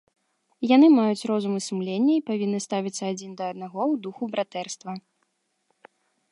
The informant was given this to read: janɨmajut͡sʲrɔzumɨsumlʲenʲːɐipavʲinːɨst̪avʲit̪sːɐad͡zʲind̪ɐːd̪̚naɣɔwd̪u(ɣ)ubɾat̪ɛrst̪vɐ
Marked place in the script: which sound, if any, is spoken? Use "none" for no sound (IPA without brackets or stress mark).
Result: x